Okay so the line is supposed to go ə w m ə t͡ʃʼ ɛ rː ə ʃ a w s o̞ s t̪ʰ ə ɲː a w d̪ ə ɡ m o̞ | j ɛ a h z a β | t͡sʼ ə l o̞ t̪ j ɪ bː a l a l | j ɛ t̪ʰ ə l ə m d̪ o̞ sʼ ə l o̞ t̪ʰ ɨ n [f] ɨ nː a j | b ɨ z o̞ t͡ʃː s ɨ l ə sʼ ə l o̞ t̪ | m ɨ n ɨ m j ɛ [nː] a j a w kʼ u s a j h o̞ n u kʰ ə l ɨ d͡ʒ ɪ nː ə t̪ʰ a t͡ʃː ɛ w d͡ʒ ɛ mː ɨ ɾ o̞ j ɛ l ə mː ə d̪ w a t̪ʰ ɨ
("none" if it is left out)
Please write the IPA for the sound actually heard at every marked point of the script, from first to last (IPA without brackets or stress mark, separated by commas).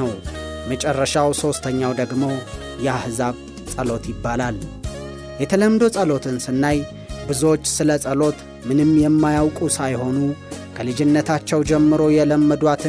s, mː